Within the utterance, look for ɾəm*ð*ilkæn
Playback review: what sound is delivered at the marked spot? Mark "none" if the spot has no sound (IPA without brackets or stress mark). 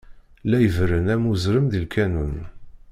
ð